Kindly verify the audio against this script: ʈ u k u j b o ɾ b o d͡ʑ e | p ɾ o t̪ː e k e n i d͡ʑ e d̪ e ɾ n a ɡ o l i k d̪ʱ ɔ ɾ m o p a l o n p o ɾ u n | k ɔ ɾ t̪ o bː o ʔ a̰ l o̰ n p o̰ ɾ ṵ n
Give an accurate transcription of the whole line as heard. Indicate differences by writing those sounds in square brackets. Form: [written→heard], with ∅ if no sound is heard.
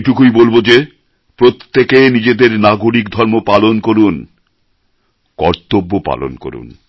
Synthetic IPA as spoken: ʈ u k u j b o [ɾ→l] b o d͡ʑ e | p ɾ o t̪ː e k e n i d͡ʑ e d̪ e ɾ n a ɡ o [l→ɾ] i k d̪ʱ ɔ ɾ m o p a l o n [p→k] o ɾ u n | k ɔ ɾ t̪ o bː o [ʔ→p] a̰ l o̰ n [p→k] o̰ ɾ ṵ n